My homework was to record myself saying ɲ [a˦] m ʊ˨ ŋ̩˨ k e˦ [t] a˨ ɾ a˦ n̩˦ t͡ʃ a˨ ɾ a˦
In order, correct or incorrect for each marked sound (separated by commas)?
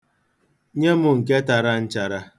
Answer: incorrect, correct